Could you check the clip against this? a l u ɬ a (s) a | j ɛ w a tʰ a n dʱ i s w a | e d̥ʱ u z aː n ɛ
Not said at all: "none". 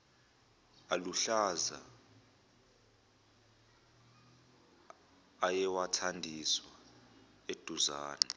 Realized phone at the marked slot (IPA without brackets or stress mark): z